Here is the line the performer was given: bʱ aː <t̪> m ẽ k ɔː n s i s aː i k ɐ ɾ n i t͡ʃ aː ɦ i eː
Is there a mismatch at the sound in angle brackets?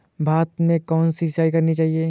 no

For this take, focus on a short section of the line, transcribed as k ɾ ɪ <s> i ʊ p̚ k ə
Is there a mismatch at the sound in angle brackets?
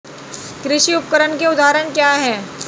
yes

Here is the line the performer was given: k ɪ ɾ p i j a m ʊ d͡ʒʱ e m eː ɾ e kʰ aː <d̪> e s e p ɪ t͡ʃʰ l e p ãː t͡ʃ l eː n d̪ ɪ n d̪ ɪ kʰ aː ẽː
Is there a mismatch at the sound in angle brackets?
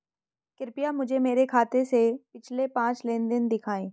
yes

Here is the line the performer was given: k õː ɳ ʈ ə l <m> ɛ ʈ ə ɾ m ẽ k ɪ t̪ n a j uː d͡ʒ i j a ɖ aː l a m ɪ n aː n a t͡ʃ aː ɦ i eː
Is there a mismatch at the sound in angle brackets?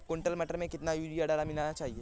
no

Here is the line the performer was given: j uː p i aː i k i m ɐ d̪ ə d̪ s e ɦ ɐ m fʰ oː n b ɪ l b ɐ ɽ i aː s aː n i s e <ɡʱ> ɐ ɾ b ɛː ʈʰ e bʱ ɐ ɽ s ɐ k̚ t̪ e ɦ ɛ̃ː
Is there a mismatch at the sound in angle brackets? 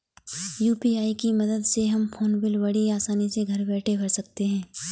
no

